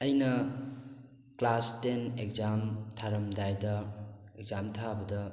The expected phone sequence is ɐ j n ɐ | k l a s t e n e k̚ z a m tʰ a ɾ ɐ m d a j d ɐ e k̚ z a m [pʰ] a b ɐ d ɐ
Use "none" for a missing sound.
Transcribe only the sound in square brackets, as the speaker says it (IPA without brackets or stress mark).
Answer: tʰ